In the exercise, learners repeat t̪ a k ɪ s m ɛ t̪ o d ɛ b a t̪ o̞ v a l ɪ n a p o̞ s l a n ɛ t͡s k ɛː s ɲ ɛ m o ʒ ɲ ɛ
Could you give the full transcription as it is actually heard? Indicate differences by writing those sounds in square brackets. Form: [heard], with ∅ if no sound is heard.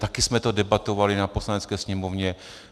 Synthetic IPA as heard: t̪ a k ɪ s m ɛ t̪ o d ɛ b a t̪ o̞ v a l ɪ n a p o̞ s l a n ɛ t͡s k ɛː s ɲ ɛ m o [v] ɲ ɛ